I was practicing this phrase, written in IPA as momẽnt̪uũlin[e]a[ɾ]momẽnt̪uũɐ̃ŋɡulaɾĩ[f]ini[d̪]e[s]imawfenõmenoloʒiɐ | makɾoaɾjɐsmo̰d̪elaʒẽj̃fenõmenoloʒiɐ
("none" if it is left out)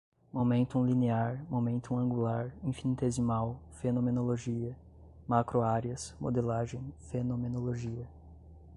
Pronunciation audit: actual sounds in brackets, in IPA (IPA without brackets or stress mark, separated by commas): e, ɾ, f, t̪, z